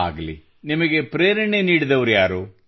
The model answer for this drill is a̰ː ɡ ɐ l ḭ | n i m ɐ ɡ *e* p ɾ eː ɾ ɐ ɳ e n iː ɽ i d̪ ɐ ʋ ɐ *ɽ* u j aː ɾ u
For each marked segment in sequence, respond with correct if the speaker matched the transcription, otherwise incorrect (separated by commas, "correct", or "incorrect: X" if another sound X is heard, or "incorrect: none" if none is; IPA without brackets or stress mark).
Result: correct, incorrect: ɾ